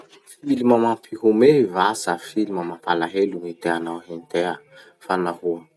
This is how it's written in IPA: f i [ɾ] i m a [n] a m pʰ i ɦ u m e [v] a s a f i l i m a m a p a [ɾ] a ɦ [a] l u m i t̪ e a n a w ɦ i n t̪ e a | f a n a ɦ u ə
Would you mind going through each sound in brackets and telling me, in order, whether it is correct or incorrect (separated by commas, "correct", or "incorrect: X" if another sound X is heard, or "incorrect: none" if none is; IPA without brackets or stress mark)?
incorrect: l, incorrect: m, correct, incorrect: l, incorrect: e